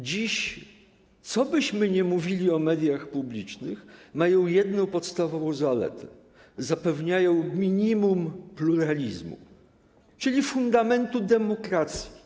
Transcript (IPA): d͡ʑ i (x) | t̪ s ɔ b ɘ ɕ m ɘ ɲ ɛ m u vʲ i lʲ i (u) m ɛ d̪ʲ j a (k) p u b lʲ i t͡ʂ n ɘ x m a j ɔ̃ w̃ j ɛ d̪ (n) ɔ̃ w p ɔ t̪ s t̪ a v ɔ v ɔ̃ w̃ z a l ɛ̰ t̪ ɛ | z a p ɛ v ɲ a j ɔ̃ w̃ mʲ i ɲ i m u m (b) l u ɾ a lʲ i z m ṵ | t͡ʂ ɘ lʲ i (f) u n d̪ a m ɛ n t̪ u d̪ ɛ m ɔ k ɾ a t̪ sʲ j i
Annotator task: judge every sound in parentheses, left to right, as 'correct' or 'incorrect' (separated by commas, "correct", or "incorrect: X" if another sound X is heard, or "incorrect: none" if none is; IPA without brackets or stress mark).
incorrect: ɕ, incorrect: ɔ, incorrect: x, correct, incorrect: p, correct